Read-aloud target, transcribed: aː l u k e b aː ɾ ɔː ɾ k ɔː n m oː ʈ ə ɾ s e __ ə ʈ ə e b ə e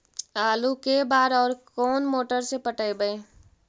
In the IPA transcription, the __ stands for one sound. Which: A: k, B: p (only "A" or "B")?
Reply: B